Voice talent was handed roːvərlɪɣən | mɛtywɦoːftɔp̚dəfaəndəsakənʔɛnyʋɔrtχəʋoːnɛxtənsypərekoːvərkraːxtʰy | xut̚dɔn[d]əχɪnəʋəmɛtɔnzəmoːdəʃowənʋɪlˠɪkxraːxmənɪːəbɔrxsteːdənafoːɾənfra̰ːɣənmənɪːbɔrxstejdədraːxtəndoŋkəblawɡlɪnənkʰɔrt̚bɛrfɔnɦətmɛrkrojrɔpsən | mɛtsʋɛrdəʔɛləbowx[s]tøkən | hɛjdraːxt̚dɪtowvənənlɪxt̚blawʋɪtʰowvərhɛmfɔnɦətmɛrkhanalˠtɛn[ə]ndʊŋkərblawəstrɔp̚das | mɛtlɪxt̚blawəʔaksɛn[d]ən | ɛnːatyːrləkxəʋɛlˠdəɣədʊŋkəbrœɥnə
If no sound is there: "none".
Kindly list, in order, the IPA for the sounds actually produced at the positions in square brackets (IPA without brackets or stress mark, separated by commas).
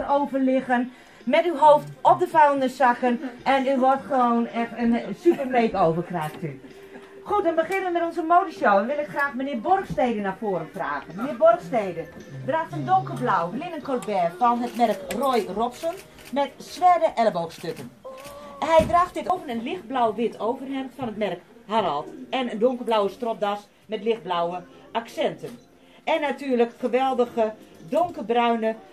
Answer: b, s, ə, t